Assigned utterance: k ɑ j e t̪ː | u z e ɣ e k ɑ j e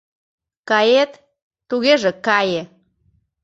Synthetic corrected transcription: k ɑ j e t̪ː | u ɣ e ʒ e k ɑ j e